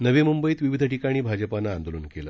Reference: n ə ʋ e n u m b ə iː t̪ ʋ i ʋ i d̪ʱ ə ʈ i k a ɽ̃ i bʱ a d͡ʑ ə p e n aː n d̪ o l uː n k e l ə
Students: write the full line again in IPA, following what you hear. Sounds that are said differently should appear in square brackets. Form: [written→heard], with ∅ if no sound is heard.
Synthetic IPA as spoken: n ə ʋ e [n→m] u m b ə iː t̪ ʋ i ʋ i d̪ʱ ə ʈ i k a ɽ̃ [i→iː] bʱ a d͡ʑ ə p [e→a] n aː n d̪ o l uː n k e l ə

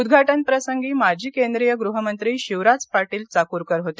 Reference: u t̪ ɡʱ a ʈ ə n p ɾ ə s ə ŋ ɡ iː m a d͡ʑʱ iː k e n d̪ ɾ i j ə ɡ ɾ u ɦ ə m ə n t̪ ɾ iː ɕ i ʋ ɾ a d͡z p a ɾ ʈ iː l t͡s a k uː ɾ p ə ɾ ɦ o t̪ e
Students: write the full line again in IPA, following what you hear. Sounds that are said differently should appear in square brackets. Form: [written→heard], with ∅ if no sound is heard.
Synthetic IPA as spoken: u [t̪→d̪] ɡʱ a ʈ ə n p ɾ ə s ə ŋ ɡ iː m a d͡ʑʱ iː k e n d̪ ɾ i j ə ɡ ɾ u ɦ ə m ə n t̪ ɾ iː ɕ i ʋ ɾ a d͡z p a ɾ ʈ iː l t͡s a k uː ɾ [p→k] ə ɾ ɦ o t̪ e

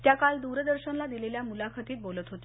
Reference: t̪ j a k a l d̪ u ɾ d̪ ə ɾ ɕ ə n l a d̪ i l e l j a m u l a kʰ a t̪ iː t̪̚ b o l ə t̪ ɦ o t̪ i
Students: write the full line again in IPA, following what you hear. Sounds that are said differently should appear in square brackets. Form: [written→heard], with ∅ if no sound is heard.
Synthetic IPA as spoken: t̪ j a k a l d̪ u ɾ d̪ ə ɾ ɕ ə n l a d̪ i l e l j a m u l a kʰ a t̪ iː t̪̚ b o l ə t̪ ɦ o t̪ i

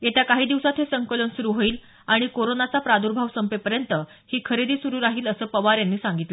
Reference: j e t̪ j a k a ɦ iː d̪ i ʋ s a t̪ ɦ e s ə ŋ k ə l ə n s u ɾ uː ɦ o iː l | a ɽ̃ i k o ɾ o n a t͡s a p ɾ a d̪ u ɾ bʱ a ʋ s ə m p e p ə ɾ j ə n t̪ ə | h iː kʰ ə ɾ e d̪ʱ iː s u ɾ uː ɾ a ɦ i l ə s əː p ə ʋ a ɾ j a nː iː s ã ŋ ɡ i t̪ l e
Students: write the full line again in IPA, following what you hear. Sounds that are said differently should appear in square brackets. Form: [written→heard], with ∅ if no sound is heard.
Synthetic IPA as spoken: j e t̪ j a k a ɦ iː d̪ i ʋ s a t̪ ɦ e s ə ŋ k ə l ə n s u ɾ uː ɦ o iː l | a ɽ̃ i k o ɾ o n a t͡s a p ɾ a d̪ u ɾ bʱ a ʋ s ə m p e p ə ɾ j ə n t̪ ə | h iː kʰ ə ɾ e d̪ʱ iː s u ɾ uː ɾ a ɦ [i→iː] l ə s əː p ə ʋ a ɾ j a nː iː s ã ŋ ɡ i t̪ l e

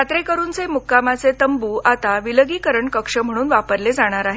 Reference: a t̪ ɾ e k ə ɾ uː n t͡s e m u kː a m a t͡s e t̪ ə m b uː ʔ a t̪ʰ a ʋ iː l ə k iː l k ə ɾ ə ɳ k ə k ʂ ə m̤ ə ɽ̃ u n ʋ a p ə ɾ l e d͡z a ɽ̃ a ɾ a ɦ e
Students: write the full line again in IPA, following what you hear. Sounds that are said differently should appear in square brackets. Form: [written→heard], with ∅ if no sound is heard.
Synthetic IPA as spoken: a t̪ ɾ e k ə ɾ uː n t͡s e m u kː a m a t͡s e t̪ ə m b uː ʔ a [t̪ʰ→t̪] a ʋ [iː→i] l ə [k→ɡ] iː [l→∅] k ə ɾ ə ɳ k ə k ʂ ə m̤ ə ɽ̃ [u→uː] n ʋ a p ə ɾ l e d͡z a ɽ̃ a ɾ a ɦ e

